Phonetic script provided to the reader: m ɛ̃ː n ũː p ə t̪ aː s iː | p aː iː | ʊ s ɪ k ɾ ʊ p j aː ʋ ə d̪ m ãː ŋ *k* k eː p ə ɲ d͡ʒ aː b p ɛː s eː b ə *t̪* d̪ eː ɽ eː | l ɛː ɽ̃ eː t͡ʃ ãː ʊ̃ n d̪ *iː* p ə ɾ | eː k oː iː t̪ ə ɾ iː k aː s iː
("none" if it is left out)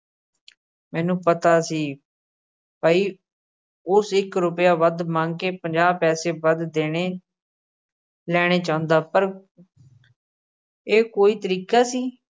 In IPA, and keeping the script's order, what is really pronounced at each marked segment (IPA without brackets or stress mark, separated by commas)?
ɡ, d̪, aː